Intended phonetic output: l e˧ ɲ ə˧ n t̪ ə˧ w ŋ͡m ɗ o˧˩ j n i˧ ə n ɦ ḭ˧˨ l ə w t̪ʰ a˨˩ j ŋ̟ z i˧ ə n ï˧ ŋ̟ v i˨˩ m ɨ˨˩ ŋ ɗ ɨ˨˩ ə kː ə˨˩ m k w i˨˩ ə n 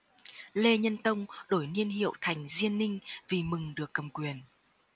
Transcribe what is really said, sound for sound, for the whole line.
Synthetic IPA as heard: l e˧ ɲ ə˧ n t̪ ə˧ w ŋ͡m ɗ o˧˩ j n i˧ ə n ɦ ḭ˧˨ ə w t̪ʰ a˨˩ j ŋ̟ z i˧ ə nː ï˧ ŋ̟ v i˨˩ m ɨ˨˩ ŋ ɗ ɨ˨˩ ə kː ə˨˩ m k w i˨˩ ə n